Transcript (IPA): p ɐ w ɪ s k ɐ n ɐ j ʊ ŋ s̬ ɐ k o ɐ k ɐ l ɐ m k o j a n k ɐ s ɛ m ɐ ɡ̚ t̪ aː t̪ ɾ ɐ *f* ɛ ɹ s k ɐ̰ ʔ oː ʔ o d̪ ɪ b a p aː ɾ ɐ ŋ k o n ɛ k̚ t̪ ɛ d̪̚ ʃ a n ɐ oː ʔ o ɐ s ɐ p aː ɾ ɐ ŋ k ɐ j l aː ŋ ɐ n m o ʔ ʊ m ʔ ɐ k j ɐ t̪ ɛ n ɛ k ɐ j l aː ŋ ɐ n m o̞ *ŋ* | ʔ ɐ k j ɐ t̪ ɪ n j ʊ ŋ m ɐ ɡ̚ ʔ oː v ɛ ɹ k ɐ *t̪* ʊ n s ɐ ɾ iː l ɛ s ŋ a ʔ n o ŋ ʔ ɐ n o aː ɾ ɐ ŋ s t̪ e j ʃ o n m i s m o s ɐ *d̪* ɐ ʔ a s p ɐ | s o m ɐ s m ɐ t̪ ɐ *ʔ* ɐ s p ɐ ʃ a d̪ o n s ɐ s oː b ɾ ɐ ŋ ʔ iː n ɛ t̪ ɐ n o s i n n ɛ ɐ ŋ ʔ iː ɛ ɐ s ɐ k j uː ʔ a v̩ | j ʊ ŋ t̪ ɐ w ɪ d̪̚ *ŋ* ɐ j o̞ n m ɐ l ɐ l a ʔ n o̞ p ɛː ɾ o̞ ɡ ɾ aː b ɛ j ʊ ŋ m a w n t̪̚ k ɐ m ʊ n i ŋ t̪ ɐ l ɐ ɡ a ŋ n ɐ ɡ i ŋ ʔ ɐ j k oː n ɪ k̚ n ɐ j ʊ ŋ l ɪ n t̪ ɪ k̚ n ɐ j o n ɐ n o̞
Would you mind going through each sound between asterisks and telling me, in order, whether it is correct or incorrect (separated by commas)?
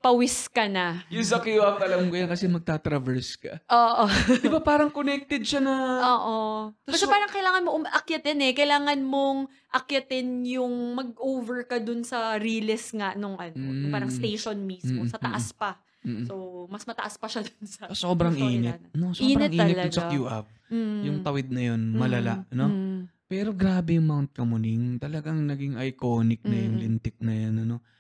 incorrect, correct, incorrect, incorrect, correct, incorrect